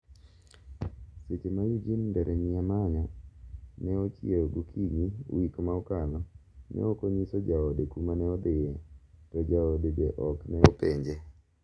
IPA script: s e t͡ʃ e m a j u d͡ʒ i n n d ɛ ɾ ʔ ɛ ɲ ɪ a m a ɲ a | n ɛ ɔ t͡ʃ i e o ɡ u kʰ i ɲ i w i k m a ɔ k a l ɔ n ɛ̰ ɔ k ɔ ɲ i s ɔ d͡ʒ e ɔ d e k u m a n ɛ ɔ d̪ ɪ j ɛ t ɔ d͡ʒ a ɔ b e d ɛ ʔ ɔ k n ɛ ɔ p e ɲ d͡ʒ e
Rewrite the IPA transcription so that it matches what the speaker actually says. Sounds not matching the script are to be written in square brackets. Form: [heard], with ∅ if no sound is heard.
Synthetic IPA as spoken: s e t͡ʃ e m a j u d͡ʒ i n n d ɛ ɾ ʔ ɛ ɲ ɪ a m a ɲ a | n ɛ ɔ t͡ʃ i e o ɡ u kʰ i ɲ i w i k m a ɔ k a l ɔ n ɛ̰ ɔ k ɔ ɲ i s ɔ d͡ʒ [a] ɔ d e k u m a n ɛ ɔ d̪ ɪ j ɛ t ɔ d͡ʒ a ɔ [d] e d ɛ ʔ ɔ k n ɛ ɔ p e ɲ d͡ʒ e

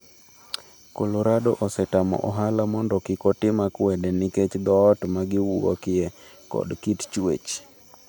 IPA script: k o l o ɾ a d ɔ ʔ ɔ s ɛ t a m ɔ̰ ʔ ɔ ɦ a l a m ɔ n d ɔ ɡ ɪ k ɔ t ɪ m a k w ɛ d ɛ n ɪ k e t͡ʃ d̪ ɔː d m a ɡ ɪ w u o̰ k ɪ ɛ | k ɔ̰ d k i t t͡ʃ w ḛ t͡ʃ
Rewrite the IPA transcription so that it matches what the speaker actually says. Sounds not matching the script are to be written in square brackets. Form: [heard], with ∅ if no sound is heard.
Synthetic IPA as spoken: k o l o ɾ a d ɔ ʔ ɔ s ɛ t a m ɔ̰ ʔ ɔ ɦ a l a m ɔ n d ɔ [k] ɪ k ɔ t ɪ m a k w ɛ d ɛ n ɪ k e t͡ʃ d̪ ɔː [t] m a ɡ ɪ w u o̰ k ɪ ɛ | k ɔ̰ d k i t t͡ʃ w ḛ t͡ʃ

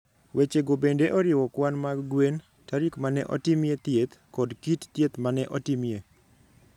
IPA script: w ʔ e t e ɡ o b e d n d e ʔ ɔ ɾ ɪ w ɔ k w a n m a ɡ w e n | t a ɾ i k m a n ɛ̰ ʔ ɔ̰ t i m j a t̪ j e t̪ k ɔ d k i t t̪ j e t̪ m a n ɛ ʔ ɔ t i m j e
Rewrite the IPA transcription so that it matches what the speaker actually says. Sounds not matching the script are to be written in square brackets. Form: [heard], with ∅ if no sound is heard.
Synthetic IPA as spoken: w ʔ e [t͡ʃ] e ɡ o b e [∅] n d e ʔ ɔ ɾ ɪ w ɔ k w a n m a ɡ w e n | t a ɾ i k m a n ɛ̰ ʔ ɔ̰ t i m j [e] t̪ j e t̪ k ɔ d k i t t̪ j e t̪ m a n ɛ ʔ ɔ t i m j e

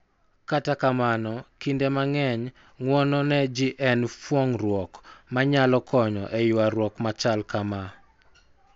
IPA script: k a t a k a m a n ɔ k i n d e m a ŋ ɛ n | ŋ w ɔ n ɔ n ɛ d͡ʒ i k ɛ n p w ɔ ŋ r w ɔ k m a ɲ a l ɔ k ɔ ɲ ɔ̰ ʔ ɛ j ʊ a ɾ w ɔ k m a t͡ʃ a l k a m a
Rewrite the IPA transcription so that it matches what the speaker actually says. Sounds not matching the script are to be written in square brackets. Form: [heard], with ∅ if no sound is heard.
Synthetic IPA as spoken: k a t a k a m a n ɔ k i n d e m a ŋ ɛ [ɲ] | ŋ w ɔ n ɔ n ɛ d͡ʒ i [ʔ] ɛ n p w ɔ ŋ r w ɔ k m a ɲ a l ɔ k ɔ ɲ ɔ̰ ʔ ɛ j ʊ a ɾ w ɔ k m a t͡ʃ a l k a m a

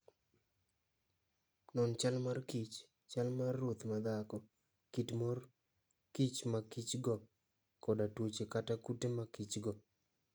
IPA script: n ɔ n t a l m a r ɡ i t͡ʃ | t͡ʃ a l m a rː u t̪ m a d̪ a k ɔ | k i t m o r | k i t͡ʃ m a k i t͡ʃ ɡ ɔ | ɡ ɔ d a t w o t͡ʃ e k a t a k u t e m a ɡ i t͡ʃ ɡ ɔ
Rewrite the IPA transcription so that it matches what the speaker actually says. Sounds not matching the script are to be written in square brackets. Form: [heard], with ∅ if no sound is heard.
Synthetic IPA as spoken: n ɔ n [t͡ʃ] a l m a r [k] i t͡ʃ | t͡ʃ a l m a rː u t̪ m a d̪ a k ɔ | k i t m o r | k i t͡ʃ m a k i t͡ʃ ɡ ɔ | [k] ɔ d a t w o t͡ʃ e k a t a k u t e m a [k] i t͡ʃ ɡ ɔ

